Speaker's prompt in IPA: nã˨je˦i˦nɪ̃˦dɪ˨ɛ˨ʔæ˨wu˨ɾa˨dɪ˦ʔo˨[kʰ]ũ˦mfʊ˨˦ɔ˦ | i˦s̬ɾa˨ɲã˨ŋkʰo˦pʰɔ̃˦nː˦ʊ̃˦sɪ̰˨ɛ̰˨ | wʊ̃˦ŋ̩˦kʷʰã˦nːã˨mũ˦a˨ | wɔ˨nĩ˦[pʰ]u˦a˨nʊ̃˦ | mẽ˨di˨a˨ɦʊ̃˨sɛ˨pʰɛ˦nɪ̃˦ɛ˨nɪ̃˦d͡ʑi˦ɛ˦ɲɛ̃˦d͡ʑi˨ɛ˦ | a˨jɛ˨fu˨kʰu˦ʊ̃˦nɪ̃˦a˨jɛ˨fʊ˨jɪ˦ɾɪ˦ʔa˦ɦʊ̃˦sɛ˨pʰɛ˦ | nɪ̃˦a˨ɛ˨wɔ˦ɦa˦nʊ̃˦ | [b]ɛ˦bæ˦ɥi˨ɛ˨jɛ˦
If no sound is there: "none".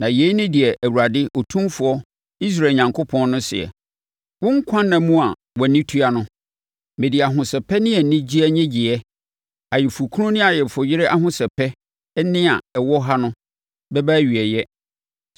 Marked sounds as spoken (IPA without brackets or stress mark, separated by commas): tʰ, tʰ, b